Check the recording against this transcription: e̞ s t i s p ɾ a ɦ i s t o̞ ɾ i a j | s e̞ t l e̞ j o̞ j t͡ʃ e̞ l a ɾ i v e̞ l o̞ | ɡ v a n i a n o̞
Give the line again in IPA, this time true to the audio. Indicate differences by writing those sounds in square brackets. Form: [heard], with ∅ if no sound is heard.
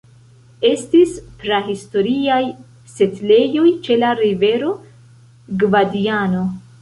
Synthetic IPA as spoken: e̞ s t i s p ɾ a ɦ i s t o̞ ɾ i a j | s e̞ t l e̞ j o̞ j t͡ʃ e̞ l a ɾ i v e̞ [ɾ] o̞ | ɡ v a [d] i a n o̞